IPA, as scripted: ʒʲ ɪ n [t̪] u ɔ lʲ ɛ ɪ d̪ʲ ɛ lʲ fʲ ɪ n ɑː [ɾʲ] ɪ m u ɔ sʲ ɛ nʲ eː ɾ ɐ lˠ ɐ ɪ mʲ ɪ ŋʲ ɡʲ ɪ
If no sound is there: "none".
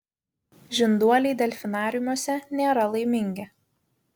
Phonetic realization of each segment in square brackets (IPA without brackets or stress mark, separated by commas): d̪, ɾʲ